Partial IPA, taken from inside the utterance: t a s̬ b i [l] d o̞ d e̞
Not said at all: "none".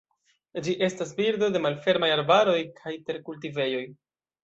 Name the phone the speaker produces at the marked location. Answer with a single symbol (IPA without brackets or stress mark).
ɾ